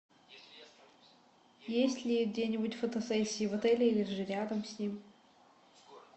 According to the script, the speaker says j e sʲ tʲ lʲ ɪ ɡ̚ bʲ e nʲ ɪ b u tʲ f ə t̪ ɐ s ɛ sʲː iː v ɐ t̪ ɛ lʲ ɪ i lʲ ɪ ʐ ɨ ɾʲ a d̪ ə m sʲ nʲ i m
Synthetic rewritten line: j e sʲ tʲ lʲ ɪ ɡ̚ dʲ e nʲ ɪ b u tʲ f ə t̪ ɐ s ɛ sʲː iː v ɐ t̪ ɛ lʲ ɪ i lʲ ɪ ʐ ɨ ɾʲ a d̪ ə m sʲ nʲ i m

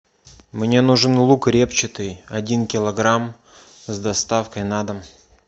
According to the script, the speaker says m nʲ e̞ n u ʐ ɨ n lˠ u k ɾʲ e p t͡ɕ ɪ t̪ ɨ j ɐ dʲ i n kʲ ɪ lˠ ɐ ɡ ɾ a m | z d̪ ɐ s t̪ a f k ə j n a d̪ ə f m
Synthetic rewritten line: m nʲ e̞ n u ʐ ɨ n lˠ u k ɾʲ e p t͡ɕ ɪ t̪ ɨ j ɐ dʲ i n kʲ ɪ lˠ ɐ ɡ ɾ a m | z d̪ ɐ s t̪ a f k ə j n a d̪ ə m

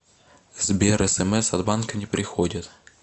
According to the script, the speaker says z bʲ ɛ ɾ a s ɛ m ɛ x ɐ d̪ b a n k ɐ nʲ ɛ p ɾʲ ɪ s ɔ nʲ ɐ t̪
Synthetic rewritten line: z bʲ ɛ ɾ ɛ s ɛ m ɛ s ɐ d̪ b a n k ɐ nʲ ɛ p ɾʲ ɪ x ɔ dʲ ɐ t̪

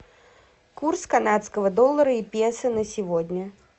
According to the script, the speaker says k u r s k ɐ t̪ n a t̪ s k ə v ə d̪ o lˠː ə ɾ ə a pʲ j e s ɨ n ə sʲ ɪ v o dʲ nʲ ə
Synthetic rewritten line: k u r s k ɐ n a t̪ s k ə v ə d̪ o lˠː ə ɾ ə i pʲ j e s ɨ n ə sʲ ɪ v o dʲ nʲ ə

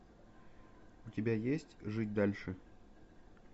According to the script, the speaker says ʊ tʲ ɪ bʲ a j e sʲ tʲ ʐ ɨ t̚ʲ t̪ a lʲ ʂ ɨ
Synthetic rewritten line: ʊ tʲ ɪ bʲ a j e sʲ tʲ ʐ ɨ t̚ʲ d̪ a lʲ ʂ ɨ

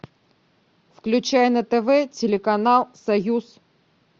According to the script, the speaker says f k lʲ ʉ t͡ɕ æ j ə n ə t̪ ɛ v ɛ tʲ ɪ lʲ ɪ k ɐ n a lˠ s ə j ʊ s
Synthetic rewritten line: f k lʲ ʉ t͡ɕ æ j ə n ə t̪ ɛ v ɛ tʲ ɪ lʲ ɪ k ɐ n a lˠ s ɐ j u s

